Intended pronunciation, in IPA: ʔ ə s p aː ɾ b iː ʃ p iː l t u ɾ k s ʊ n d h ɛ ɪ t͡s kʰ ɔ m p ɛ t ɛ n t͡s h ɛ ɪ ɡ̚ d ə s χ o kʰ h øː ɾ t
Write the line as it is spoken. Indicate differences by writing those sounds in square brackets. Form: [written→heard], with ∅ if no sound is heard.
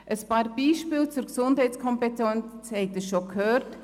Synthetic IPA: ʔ ə s p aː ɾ b iː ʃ p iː l [t→t͡s] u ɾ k s ʊ n d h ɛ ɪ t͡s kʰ ɔ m p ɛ t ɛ n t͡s h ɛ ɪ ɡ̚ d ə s [χ→ʃ] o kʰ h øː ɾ t